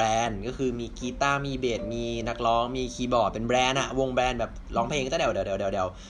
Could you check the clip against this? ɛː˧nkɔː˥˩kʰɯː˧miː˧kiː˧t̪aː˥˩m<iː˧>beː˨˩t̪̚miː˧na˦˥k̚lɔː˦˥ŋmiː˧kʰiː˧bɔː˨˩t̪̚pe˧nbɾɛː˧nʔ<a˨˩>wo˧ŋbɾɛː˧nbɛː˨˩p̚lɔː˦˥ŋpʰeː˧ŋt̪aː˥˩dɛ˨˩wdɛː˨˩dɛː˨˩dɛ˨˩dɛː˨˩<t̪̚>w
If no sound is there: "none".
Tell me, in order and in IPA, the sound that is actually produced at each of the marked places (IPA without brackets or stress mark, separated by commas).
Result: iː˧, a˨˩, none